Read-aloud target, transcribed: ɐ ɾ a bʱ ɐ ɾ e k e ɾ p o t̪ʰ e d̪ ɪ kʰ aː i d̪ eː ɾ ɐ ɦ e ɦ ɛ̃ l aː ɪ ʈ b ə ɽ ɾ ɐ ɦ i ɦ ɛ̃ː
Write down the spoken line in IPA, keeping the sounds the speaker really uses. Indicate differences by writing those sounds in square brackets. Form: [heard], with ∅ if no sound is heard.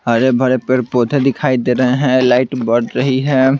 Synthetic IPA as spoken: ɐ ɾ [e] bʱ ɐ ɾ e [p] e ɾ p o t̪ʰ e d̪ ɪ kʰ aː i d̪ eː ɾ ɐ ɦ e ɦ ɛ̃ l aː ɪ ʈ b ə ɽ ɾ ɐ ɦ i ɦ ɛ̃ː